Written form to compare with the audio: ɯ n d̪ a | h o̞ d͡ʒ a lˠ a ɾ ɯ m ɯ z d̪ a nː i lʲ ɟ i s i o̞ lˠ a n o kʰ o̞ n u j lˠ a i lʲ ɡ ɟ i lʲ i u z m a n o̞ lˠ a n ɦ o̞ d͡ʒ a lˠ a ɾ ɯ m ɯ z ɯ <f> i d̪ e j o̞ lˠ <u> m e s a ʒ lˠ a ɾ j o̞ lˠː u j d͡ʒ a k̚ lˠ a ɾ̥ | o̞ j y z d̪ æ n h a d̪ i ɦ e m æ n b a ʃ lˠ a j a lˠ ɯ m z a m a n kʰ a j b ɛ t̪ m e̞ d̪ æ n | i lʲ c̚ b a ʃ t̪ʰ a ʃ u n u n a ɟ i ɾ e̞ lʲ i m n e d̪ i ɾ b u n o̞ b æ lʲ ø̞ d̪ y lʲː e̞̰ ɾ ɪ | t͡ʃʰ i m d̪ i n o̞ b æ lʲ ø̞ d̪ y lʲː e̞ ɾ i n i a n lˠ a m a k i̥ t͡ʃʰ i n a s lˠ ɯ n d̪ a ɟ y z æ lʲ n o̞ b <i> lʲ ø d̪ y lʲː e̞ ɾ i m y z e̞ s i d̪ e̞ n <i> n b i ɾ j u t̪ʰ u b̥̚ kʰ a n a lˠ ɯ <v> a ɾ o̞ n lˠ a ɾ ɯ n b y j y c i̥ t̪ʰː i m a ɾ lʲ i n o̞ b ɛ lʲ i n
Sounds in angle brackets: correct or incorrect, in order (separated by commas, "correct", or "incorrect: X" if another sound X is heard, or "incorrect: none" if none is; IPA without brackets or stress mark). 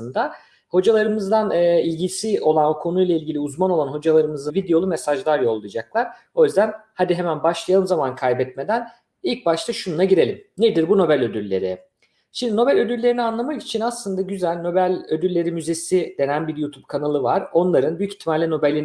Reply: incorrect: v, correct, incorrect: æ, incorrect: æ, correct